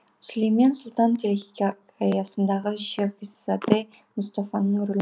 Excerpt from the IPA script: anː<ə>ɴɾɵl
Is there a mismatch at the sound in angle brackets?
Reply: no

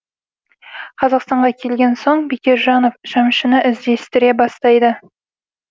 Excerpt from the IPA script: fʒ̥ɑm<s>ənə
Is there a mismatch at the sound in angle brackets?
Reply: yes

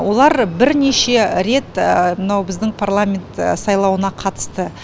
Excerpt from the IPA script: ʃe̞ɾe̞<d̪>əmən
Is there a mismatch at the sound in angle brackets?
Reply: yes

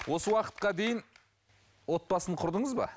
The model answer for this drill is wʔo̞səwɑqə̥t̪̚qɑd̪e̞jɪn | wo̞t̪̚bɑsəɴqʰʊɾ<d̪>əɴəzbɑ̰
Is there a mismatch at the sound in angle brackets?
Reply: no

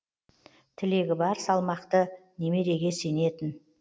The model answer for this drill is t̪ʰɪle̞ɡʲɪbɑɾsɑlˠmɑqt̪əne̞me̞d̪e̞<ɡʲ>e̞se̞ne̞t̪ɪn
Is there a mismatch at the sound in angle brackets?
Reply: no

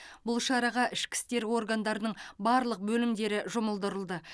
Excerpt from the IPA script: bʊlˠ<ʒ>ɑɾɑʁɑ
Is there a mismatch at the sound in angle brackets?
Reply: yes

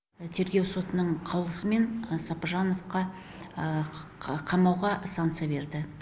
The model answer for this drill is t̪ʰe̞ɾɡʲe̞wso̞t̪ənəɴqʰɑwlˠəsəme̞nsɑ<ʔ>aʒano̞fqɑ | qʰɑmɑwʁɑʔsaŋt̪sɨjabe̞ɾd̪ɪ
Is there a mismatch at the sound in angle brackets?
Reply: yes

